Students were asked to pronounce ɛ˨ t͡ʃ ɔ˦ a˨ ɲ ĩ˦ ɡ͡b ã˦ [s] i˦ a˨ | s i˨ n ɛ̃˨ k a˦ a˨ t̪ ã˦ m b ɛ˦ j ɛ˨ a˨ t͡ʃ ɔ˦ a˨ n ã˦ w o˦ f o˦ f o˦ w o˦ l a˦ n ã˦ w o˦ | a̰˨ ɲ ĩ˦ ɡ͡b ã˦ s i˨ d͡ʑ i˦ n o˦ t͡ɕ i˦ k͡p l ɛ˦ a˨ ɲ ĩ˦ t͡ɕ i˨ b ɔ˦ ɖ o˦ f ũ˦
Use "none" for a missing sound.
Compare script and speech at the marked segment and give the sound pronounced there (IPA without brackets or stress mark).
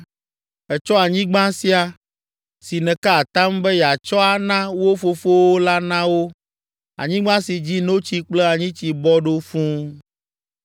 s